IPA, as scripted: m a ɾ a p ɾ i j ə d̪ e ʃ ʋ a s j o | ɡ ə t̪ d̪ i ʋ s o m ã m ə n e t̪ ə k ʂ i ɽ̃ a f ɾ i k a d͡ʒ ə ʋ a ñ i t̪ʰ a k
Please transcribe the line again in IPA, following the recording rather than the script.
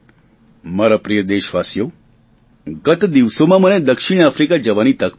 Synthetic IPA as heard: m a ɾ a p ɾ i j ə d̪ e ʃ ʋ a s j o | ɡ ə t̪ d̪ i ʋ s o m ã m ə n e d̪ ə k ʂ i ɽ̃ a f ɾ i k a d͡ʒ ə ʋ a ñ i t̪ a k

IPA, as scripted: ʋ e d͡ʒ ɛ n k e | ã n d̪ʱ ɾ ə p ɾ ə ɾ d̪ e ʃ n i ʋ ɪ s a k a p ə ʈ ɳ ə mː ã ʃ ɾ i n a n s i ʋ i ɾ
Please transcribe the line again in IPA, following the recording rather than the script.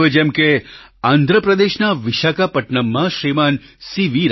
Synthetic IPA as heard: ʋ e d͡ʒ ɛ m k e | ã n d̪ʱ ɾ ə p ɾ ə d̪ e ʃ n a ʋ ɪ ʃ a k a p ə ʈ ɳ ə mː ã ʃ ɾ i m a n s i ʋ i ɾ

